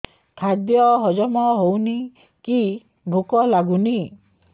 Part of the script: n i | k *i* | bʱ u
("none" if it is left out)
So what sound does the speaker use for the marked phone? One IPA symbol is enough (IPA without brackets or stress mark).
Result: i